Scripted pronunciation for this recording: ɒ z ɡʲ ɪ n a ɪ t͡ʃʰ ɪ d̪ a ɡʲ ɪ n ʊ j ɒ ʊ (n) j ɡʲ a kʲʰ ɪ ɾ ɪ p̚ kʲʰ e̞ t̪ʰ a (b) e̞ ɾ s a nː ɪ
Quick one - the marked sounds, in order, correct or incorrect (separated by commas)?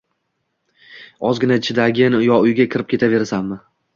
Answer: incorrect, incorrect